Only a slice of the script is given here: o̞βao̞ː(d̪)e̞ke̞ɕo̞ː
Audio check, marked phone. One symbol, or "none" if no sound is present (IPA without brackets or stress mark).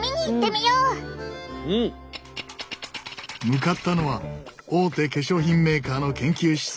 t̪